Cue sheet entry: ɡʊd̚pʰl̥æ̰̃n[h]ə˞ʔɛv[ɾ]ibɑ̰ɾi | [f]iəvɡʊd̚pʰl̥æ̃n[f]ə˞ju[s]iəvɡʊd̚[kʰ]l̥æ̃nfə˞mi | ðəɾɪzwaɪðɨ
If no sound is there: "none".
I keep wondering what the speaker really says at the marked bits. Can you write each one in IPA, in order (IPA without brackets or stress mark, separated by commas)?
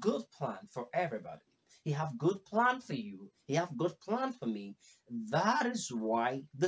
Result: f, ɹ, h, f, h, pʰ